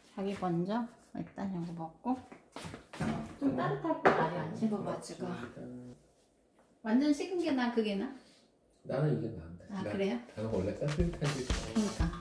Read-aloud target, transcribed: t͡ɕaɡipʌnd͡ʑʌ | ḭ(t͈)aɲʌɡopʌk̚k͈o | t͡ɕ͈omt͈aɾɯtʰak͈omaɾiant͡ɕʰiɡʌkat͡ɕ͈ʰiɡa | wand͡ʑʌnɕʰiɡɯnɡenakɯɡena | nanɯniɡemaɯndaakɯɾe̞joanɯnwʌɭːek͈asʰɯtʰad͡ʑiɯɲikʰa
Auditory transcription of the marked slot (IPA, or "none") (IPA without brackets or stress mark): t͈